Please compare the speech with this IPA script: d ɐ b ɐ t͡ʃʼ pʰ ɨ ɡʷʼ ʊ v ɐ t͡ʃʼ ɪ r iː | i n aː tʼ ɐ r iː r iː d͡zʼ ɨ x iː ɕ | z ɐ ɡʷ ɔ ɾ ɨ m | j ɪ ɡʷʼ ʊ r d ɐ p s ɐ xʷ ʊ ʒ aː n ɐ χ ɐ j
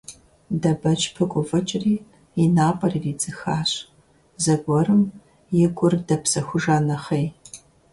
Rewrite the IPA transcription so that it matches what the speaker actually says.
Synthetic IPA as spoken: d ɐ b ɐ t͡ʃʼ pʰ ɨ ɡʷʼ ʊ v ɐ t͡ʃʼ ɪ r iː | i n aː pʼ ɐ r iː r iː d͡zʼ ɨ x aː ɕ | z ɐ ɡʷ ɔ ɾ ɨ m | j ɪ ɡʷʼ ʊ r d ɐ p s ɐ xʷ ʊ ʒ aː n ɐ χ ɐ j

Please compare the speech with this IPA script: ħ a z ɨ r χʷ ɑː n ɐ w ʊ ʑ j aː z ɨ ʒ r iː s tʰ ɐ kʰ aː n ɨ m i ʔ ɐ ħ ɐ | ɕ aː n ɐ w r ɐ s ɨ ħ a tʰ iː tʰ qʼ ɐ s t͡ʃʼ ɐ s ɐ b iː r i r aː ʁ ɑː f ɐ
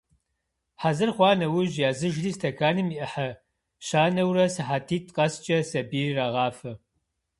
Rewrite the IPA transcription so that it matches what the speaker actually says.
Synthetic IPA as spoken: ħ a z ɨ r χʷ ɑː n ɐ w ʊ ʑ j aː z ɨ ʒ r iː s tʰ ɐ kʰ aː n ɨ m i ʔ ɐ ħ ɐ | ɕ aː n ɐ w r ɐ s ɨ ħ a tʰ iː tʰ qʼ ɐ s t͡ʃʼ ɐ s ɐ b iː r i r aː ʁ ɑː f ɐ

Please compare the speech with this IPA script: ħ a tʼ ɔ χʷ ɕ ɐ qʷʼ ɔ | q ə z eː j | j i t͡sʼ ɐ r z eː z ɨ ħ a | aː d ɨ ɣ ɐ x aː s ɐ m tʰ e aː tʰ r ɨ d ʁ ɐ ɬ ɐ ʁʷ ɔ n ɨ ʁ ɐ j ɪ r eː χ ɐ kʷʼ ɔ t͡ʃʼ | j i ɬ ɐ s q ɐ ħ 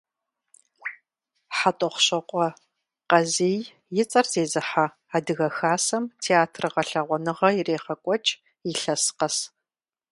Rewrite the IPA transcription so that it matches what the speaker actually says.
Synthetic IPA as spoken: ħ a tʼ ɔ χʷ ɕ ɐ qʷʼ ɔ | q ɐ z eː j | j ɪ t͡sʼ ɐ r z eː z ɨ ħ a | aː d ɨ ɣ ɐ x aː s ɐ m tʰ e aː tʰ r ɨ ʁ ɐ ɬ ɐ ʁʷ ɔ n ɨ ʁ ɐ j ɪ r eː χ ɐ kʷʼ ɔ t͡ʃʼ | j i ɬ ɐ s q ɐ s

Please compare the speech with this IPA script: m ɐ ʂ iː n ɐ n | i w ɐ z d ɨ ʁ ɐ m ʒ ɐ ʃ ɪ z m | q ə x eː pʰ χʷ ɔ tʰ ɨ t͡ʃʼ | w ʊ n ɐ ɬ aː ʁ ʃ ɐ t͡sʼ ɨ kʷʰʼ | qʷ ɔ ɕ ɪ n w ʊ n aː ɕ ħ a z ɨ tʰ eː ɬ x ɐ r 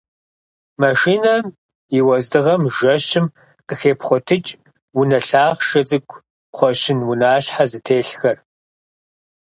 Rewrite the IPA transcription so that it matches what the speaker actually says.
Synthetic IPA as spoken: m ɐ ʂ iː n ɐ m | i w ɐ z d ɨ ʁ ɐ m ʒ ɐ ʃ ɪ m | q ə x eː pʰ χʷ ɔ tʰ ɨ t͡ʃʼ | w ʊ n ɐ ɬ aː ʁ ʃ ɐ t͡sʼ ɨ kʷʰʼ | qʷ ɔ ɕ ɪ n w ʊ n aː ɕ ħ a z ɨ tʰ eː ɬ x ɐ r

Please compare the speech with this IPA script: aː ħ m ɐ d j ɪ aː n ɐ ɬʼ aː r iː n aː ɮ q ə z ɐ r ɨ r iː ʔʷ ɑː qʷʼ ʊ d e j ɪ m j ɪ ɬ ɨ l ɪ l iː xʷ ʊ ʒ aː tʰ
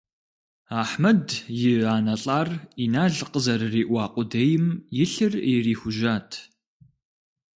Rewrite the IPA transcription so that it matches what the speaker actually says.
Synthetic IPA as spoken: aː ħ m ɐ d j ɪ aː n ɐ ɬʼ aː r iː n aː ɮ q ə z ɐ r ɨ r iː ʔʷ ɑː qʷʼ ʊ d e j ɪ m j ɪ ɬ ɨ r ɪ r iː xʷ ʊ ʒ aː tʰ

